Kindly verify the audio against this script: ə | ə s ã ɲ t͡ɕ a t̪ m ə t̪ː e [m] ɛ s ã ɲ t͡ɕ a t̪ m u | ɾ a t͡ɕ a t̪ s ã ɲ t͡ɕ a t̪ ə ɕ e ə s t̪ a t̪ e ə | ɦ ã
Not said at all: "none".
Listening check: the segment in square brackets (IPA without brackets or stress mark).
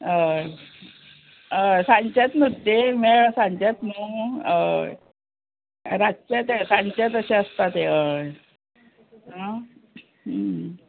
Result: m